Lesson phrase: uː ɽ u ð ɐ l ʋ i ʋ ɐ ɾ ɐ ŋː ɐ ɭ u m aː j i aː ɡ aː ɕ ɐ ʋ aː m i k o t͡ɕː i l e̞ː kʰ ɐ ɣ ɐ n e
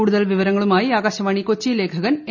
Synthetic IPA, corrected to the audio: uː ɽ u ð ɐ l ʋ i ʋ ɐ ɾ ɐ ŋː ɐ ɭ u m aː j i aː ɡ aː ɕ ɐ ʋ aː ɳ i k o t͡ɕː i l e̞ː kʰ ɐ ɣ ɐ n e